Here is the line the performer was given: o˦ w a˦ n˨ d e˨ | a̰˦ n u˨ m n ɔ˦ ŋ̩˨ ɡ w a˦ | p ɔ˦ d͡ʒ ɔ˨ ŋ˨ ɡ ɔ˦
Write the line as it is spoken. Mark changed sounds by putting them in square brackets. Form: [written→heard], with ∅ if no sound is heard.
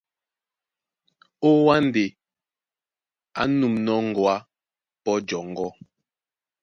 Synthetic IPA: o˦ w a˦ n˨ d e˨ | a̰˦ n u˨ m n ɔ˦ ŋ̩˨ ɡ w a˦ | p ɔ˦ d͡ʒ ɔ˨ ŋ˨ ɡ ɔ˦